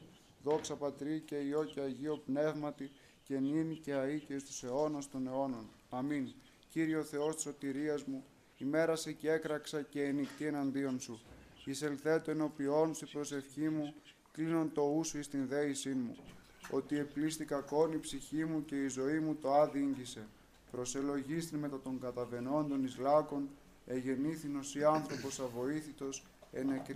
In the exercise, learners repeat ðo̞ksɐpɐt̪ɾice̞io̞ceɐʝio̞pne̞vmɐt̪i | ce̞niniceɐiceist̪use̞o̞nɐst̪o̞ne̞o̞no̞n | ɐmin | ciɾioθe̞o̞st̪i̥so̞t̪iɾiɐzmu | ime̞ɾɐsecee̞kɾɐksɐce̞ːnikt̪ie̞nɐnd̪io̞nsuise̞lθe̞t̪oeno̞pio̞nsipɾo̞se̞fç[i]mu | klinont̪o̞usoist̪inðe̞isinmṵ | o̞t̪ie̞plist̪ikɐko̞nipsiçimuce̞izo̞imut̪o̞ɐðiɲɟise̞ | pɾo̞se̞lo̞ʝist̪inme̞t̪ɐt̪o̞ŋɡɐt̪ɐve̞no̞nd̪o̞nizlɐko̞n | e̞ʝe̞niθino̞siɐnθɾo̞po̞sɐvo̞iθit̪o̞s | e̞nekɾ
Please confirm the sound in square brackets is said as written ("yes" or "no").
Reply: yes